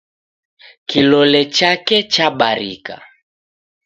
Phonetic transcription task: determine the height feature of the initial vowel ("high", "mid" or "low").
high